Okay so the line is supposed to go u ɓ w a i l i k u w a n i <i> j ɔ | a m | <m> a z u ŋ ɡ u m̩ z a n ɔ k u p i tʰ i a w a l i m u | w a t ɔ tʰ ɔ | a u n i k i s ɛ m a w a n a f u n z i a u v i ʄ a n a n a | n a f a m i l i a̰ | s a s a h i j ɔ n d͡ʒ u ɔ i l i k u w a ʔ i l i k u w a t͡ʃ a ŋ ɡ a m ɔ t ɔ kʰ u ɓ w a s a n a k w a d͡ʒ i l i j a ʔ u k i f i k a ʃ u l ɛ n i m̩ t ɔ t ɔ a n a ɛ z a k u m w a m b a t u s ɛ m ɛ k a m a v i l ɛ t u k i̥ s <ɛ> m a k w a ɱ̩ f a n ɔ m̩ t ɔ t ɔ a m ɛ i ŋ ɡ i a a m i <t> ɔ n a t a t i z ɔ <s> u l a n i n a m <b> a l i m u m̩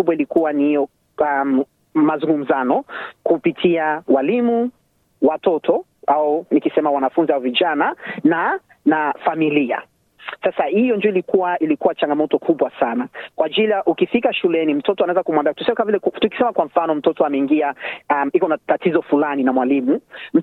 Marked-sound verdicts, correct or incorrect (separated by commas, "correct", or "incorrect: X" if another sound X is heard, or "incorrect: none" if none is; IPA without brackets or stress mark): correct, correct, correct, incorrect: k, incorrect: f, incorrect: w